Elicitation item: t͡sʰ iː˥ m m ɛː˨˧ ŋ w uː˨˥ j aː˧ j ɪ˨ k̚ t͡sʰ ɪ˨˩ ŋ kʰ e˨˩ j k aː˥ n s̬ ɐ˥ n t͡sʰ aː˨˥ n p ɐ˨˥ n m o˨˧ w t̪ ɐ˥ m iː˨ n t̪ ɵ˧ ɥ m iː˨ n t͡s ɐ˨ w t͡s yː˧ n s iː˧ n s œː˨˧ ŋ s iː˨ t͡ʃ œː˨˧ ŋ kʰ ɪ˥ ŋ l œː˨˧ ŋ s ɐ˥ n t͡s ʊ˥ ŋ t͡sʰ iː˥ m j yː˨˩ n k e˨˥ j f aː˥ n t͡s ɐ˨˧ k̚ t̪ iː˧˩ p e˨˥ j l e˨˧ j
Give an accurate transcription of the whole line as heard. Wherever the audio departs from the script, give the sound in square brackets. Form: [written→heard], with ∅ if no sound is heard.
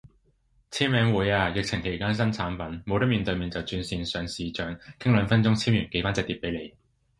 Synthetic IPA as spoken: t͡sʰ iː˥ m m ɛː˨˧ ŋ w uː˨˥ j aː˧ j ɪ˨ k̚ t͡sʰ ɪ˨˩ ŋ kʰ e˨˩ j k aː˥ n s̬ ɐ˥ n t͡sʰ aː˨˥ n p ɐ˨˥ n m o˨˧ w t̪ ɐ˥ m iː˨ n t̪ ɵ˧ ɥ m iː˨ n t͡s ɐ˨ w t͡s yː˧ n s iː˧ n s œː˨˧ ŋ s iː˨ t͡ʃ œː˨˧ ŋ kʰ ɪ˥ ŋ l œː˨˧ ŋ [s→f] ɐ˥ n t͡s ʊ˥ ŋ t͡sʰ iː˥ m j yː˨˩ n k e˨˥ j f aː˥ n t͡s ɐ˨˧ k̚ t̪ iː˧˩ p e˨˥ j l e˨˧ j